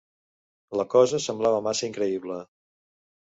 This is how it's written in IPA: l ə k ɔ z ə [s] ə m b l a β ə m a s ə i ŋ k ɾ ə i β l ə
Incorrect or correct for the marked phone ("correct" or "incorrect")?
correct